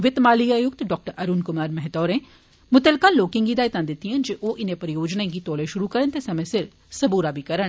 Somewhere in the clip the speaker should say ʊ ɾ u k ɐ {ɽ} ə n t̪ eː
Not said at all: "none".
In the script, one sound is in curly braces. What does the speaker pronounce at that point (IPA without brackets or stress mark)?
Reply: ɾ